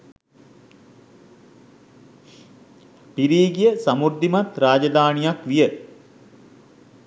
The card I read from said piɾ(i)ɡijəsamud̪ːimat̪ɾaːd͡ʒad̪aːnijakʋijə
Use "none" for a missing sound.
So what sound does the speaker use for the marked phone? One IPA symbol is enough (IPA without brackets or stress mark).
iː